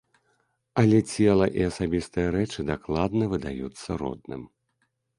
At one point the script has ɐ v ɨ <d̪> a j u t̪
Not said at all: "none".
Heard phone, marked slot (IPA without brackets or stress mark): d̪